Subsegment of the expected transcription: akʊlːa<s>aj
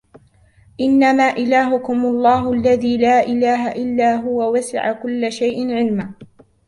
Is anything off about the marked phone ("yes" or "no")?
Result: yes